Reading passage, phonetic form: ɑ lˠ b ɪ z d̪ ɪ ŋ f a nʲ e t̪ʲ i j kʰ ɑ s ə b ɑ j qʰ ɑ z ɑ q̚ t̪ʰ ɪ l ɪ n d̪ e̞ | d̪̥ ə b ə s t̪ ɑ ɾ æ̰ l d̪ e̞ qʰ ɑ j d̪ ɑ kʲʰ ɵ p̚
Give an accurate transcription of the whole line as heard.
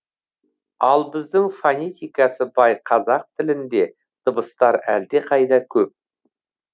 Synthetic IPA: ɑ lˠ b ɪ z d̪ ɪ ŋ f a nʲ e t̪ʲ i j k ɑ s ə b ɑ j qʰ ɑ z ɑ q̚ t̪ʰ ɪ l ɪ n d̪ e̞ | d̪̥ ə b ə s t̪ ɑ ɾ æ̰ l d̪ e̞ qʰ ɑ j d̪ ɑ kʲʰ ɵ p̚